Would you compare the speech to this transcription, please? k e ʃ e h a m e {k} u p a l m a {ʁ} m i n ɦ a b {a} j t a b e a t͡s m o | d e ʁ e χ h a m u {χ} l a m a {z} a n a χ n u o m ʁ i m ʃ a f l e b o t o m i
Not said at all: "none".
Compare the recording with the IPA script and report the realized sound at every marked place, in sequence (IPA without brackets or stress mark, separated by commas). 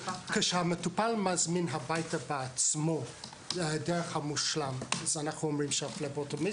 t, z, a, ʃ, z